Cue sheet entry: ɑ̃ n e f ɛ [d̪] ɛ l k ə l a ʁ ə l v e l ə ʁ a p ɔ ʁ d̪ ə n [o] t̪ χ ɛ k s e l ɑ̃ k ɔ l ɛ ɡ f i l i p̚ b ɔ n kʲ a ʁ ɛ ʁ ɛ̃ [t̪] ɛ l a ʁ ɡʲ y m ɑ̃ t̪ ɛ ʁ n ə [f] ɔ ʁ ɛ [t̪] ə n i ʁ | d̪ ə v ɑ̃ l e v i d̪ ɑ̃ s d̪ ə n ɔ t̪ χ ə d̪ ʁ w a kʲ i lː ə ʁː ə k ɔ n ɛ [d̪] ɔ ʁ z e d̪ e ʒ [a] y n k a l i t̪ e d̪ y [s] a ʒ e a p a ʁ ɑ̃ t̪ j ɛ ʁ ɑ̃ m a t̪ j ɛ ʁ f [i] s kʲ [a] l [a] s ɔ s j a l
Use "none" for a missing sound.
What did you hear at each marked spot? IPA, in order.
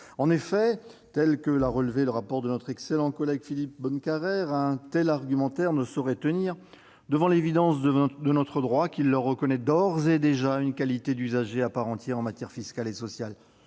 t̪, ɔ, t̪, s, t̪, d̪, a, z, i, a, e

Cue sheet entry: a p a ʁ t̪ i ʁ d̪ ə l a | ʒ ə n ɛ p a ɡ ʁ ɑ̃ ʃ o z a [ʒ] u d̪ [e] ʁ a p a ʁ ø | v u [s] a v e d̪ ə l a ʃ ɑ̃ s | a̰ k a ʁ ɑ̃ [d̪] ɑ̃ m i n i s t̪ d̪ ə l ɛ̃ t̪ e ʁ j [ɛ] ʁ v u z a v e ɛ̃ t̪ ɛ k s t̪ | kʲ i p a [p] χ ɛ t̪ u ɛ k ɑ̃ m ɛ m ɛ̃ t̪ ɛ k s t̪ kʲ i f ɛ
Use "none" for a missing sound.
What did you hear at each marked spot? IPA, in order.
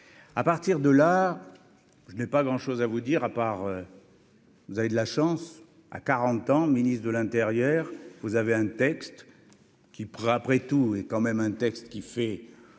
v, i, z, t̪, œ, p

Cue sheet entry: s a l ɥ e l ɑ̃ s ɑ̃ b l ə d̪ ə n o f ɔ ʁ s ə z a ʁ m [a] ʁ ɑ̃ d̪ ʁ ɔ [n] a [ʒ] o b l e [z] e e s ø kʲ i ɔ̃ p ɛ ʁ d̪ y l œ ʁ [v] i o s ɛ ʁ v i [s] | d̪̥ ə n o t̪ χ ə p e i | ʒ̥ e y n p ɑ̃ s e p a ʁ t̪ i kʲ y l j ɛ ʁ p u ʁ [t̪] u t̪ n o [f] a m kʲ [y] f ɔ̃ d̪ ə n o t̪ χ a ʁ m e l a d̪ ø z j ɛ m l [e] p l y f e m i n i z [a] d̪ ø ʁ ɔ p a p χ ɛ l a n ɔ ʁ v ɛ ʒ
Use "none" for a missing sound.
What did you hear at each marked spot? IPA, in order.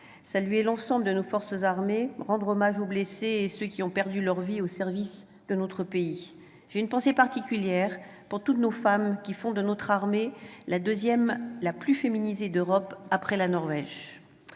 e, m, ʒ, s, v, s, t̪, f, i, a, e

